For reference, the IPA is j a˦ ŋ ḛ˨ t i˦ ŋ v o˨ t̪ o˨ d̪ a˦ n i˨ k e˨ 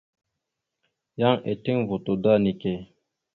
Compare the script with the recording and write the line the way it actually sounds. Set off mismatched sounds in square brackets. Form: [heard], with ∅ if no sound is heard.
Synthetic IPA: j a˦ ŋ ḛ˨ t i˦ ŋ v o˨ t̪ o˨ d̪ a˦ n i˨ k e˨